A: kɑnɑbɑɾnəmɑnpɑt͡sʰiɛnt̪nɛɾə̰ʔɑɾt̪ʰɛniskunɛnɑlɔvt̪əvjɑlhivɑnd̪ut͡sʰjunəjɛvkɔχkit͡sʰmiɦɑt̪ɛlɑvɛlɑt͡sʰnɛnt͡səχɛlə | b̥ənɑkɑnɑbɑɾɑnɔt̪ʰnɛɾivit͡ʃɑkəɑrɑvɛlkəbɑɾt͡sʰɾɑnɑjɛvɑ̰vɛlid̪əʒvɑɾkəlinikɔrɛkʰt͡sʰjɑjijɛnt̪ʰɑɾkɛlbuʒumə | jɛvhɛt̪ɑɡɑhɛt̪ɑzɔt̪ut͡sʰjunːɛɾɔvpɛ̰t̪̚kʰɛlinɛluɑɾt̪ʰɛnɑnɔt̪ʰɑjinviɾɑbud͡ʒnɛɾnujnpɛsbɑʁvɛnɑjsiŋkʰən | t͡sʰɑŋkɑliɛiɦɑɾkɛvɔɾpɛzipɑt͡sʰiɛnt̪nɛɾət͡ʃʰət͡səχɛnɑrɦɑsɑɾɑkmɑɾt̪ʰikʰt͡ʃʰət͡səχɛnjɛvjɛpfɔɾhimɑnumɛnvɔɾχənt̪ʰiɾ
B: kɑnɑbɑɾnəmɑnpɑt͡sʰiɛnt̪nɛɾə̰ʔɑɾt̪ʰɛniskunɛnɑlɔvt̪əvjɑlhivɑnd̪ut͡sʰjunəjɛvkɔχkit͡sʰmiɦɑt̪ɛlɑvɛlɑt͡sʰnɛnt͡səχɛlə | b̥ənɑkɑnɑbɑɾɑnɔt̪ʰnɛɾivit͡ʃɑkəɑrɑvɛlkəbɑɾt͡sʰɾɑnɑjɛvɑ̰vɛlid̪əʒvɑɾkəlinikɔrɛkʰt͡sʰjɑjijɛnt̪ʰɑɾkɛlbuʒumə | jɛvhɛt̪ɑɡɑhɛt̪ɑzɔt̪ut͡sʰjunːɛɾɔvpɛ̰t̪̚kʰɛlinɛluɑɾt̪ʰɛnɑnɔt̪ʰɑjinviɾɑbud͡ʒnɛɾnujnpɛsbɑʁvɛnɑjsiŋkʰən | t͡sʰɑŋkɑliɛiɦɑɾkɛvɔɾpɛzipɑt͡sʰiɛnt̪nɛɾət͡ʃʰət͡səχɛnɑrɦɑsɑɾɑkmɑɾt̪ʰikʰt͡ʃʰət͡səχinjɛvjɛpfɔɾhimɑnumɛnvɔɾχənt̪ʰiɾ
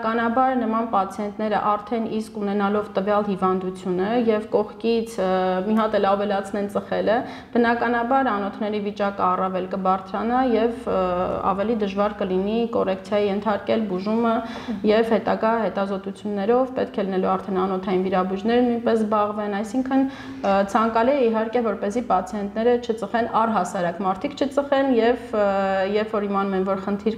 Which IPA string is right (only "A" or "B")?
A